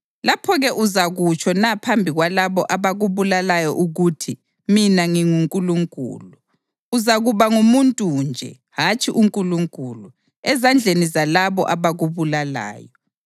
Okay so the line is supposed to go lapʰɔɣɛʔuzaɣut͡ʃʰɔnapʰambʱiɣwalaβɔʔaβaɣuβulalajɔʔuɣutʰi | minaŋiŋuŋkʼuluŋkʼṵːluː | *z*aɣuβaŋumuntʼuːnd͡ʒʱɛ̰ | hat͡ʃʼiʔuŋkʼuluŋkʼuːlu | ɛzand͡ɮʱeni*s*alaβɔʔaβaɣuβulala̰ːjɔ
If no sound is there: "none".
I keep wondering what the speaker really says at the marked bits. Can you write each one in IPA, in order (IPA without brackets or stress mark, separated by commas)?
z, z